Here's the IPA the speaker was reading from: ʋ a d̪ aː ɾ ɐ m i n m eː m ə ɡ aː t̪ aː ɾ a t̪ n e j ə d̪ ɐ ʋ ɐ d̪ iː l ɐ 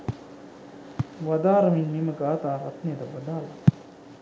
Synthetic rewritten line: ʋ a d̪ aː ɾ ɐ m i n m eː m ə ɡ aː t̪ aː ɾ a t̪ n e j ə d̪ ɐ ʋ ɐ d̪ aː l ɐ